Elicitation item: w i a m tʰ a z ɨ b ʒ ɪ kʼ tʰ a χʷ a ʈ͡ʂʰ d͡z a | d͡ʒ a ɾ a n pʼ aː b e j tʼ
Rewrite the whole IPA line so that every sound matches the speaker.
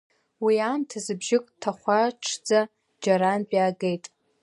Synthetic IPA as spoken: w i a m tʰ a z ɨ b ʒ ɪ kʼ tʰ a χʷ a ʈ͡ʂʰ d͡z a | d͡ʒ a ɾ a n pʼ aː ɡ e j tʼ

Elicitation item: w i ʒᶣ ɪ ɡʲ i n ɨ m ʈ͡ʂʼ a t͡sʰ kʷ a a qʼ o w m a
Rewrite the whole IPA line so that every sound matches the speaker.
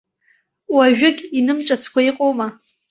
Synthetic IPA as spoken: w a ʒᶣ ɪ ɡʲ i n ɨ m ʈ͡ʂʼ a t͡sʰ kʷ a i qʼ o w m a

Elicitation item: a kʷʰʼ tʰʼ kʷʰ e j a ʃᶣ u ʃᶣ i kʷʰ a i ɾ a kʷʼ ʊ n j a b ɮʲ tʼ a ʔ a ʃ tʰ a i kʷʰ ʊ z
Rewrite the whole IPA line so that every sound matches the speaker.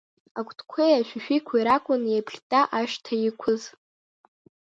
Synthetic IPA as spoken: a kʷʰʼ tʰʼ kʷʰ e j a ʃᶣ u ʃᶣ i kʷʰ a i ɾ a kʷʼ ʊ n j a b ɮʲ tʼ a ʔ a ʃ tʰ a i kʷʰ ʊ z

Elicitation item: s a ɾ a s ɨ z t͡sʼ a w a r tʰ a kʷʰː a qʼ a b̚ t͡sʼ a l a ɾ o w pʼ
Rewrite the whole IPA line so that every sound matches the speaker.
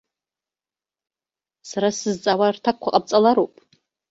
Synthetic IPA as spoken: s a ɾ a s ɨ z t͡sʼ a w a r tʰ a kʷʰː a qʼ a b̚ t͡sʼ a l a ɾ o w pʼ

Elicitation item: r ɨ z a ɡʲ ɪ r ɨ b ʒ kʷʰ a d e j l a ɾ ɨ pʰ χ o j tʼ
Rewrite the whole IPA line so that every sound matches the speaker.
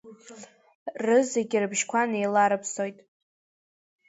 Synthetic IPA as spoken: r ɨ z e ɡʲ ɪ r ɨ b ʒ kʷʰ a n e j l a ɾ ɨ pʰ s o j tʼ

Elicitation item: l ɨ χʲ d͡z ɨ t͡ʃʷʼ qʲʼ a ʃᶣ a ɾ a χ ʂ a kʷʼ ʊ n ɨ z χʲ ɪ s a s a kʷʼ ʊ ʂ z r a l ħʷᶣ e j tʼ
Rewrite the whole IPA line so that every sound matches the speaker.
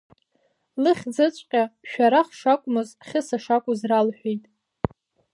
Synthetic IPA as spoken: l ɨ χʲ d͡z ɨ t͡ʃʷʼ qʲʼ a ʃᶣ a ɾ a χ ʂ a kʷʼ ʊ m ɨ z χʲ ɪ s a ʂ a kʷʼ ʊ z r a l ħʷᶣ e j tʼ

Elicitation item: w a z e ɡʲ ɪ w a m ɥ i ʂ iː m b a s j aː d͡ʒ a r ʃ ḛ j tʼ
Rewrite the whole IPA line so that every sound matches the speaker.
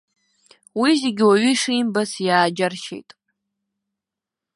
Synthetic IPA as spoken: w i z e ɡʲ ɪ w a ɥ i ʂ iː m b a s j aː d͡ʒ a r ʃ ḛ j tʼ

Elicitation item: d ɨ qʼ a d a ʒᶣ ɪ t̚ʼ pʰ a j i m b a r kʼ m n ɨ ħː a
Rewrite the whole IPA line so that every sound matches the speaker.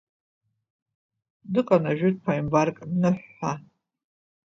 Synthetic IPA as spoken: d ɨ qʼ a n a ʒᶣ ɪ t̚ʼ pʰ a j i m b a r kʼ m n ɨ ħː a

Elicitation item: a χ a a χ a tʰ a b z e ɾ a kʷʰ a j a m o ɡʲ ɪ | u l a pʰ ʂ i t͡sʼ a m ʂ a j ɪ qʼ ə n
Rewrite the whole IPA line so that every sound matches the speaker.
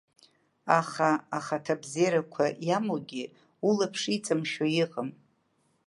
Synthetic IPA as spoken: a χ a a χ a tʰ a b z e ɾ a kʷʰ a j a m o ɡʲ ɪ | u l a pʰ ʂ i t͡sʼ a m ʃ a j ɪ qʼ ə m

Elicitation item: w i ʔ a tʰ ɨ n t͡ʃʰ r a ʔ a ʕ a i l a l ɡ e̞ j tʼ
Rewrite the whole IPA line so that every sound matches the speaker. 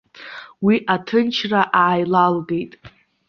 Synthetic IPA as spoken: w i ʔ a tʰ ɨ n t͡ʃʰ r a ʔ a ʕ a j l a l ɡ e̞ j tʼ

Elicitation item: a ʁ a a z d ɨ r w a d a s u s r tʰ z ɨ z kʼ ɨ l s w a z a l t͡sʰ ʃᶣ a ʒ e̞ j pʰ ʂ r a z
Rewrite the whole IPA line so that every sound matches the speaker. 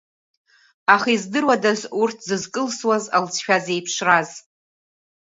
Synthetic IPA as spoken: a χ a i z d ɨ r w a d a z u r tʰ z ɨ z kʼ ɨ l s w a z a l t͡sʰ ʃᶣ a z e̞ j pʰ ʂ r a z

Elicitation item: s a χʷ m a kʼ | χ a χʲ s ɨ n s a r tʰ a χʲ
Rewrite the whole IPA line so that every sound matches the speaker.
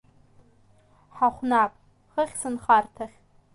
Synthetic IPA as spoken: ħ a χʷ n a pʼ | χ ə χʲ s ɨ n χ a r tʰ a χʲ

